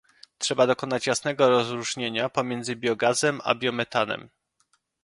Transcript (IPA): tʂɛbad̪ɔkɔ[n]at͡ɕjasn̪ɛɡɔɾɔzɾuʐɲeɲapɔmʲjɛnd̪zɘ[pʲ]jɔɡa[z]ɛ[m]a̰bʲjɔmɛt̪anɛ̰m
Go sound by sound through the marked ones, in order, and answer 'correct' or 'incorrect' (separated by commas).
correct, incorrect, correct, correct